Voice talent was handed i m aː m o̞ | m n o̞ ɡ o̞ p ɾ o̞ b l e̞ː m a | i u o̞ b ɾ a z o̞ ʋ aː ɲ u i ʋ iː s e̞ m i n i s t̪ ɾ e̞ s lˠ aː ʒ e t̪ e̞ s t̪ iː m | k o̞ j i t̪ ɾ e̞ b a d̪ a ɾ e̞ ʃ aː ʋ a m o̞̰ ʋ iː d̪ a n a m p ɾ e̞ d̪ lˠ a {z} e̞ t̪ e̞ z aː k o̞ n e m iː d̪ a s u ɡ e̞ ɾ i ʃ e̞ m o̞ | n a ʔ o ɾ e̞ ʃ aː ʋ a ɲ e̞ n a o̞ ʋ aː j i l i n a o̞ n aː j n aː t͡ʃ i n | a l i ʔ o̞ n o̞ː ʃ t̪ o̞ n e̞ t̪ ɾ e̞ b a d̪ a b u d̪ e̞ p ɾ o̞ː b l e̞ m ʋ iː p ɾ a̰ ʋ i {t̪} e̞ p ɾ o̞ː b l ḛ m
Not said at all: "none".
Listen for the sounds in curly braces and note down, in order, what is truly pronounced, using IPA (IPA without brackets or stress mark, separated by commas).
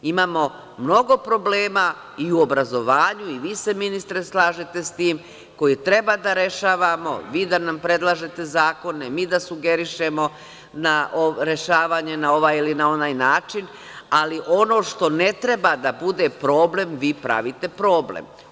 ʒ, t̪